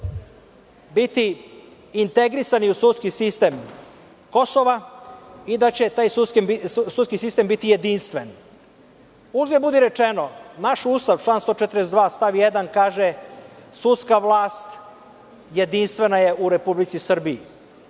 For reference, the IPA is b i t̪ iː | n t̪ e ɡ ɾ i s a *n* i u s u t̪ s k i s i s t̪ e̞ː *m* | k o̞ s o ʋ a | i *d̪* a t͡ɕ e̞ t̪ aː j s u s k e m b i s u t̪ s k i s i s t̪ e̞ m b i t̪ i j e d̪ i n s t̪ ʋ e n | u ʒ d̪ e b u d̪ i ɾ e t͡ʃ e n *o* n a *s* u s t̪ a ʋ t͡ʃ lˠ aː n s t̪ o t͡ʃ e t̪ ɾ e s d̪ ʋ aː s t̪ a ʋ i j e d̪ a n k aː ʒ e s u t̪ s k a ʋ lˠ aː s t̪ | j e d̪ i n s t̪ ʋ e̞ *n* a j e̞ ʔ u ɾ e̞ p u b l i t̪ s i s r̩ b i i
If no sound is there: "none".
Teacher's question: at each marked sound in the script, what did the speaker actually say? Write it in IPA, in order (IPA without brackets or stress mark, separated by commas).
n, m, d̪, o, ʃ, n